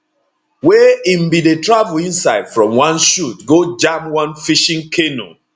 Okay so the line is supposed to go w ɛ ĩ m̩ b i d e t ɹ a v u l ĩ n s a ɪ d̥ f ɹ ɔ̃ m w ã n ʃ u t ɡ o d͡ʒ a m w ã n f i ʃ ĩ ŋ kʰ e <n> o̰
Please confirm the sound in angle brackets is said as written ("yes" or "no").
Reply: yes